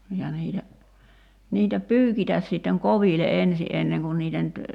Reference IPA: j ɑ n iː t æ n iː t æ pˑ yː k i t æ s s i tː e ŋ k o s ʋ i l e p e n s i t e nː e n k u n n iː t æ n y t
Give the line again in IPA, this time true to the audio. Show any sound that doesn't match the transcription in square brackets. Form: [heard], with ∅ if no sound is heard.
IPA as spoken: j ɑ n iː t æ n iː t æ pˑ yː k i t æ s s i tː e ŋ k o [∅] ʋ i l e [ʔ] e n s i [ʔ] e nː e [ŋ] k u n n iː t æ n y t